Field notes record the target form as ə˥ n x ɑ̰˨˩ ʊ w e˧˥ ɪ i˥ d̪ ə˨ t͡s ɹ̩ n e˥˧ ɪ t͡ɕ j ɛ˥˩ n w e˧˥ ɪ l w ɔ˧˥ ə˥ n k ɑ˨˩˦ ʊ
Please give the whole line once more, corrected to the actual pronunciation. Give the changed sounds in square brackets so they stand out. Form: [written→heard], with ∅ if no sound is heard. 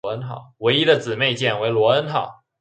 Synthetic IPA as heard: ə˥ n x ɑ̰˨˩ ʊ w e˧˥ ɪ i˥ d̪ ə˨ t͡s ɹ̩ [n→m] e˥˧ ɪ t͡ɕ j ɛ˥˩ n w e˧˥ ɪ l w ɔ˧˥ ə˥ n [k→x] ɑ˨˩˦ ʊ